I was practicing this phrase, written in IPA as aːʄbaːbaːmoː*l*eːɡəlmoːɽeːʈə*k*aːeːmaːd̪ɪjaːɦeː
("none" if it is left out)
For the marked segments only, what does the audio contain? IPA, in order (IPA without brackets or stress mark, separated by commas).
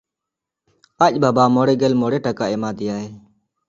ɽ, k